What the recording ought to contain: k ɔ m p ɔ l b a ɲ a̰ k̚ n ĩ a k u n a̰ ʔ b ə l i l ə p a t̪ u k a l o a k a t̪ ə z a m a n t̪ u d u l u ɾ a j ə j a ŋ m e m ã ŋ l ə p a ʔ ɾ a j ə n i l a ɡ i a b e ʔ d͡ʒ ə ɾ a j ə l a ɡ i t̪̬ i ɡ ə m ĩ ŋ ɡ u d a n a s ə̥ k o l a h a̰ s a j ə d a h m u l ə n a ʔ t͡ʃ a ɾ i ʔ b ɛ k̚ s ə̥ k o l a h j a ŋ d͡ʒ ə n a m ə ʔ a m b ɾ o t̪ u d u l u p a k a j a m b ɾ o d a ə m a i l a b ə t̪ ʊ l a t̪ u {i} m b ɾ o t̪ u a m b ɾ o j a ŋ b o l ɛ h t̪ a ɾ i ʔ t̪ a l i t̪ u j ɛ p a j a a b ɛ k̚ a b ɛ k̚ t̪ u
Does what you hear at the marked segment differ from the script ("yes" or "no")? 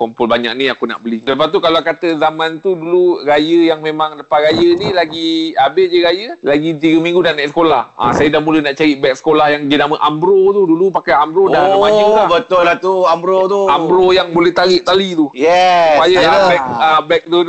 yes